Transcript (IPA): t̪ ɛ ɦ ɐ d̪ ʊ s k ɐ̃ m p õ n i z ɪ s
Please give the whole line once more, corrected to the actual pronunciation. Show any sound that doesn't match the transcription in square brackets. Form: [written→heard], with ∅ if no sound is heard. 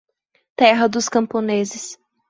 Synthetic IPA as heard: t̪ ɛ ɦ ɐ d̪ ʊ s k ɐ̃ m p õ n [i→e] z ɪ s